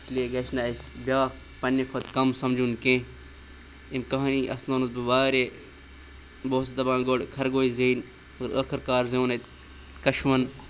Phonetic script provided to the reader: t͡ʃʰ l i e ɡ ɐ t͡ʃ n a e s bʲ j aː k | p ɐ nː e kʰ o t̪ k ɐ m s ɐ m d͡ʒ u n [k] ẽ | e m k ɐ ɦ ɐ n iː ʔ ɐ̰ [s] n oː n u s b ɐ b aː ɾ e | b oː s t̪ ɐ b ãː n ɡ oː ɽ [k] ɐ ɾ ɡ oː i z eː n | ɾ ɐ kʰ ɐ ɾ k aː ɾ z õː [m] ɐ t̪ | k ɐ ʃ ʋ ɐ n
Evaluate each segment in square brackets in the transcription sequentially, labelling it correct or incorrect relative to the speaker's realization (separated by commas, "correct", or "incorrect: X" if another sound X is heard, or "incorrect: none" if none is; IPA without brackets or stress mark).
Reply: correct, correct, incorrect: kʰ, incorrect: n